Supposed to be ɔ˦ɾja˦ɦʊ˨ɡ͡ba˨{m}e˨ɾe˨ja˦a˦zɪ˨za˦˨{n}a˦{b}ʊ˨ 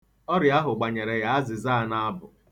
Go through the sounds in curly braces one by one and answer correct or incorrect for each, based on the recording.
incorrect: ɲ, correct, correct

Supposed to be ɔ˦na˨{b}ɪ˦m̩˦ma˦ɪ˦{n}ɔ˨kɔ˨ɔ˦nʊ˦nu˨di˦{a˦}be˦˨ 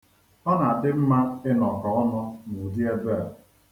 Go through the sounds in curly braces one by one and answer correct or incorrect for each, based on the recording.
incorrect: d, correct, incorrect: e˦

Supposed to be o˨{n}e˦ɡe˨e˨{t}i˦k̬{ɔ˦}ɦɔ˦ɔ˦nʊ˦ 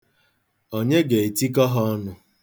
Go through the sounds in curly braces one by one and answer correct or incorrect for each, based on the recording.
incorrect: ɲ, correct, correct

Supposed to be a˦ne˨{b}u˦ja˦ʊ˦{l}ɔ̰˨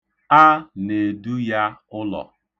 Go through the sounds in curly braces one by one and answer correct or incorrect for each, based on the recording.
incorrect: d, correct

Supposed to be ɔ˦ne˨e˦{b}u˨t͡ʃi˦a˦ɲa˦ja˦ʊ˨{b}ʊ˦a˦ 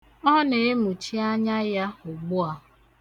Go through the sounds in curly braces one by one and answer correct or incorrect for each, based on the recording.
incorrect: m, incorrect: ɡ͡b

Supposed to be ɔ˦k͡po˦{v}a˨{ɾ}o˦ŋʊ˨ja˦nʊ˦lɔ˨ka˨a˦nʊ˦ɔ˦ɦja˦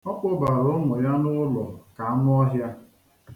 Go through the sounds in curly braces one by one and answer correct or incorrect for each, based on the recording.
incorrect: b, correct

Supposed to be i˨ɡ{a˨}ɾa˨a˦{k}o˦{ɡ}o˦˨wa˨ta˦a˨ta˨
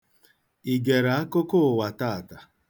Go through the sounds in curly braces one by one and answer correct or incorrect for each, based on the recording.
incorrect: e˨, correct, incorrect: k

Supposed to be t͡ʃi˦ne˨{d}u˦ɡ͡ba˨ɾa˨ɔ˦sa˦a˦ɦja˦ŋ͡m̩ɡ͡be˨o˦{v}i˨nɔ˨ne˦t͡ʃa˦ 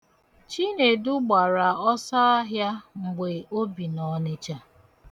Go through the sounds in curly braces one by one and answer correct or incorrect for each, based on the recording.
correct, incorrect: b

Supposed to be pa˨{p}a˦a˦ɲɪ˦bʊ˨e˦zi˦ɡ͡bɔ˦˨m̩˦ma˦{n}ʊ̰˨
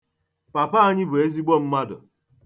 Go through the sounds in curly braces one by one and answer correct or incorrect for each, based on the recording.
correct, incorrect: d

